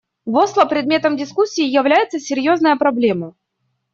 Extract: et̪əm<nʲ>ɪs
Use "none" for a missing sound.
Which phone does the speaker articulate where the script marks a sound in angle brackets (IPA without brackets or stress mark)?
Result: dʲ